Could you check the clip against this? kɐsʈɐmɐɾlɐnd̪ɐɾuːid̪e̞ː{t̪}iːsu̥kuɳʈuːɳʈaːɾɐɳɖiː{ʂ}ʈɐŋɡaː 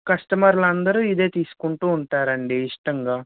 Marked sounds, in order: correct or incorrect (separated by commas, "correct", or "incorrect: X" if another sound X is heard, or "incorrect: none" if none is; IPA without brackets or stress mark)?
correct, correct